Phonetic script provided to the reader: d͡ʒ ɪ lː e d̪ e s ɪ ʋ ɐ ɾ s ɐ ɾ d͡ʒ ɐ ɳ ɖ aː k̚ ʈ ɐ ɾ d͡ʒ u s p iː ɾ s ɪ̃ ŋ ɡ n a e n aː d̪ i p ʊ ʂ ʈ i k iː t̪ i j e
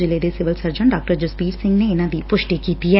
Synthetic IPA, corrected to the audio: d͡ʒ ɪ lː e d̪ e s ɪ ʋ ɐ l s ɐ ɾ d͡ʒ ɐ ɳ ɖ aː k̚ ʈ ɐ ɾ d͡ʒ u s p iː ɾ s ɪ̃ ŋ ɡ n e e n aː d̪ i p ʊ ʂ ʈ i k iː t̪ i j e